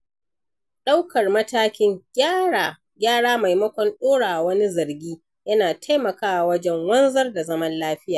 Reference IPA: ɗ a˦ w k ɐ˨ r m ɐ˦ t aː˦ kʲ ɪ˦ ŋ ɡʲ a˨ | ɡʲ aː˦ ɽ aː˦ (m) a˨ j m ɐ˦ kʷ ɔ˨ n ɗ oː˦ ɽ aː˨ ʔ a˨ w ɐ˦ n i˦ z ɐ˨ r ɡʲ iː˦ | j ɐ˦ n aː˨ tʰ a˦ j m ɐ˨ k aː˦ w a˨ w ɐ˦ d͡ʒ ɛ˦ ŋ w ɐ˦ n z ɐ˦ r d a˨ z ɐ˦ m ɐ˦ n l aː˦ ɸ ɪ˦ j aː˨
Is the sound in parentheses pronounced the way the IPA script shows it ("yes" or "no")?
yes